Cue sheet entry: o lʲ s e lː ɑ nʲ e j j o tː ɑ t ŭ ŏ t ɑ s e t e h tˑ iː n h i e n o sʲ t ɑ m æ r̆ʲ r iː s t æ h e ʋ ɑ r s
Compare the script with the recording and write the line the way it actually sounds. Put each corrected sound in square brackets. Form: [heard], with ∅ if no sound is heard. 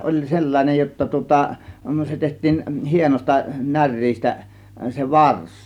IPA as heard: o lʲ s e lː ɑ nʲ e j j o tː ɑ t ŭ ŏ t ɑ s e t e h tˑ iː n h i e n o sʲ t ɑ [n] æ r̆ʲ r iː s t æ [s] e ʋ ɑ r s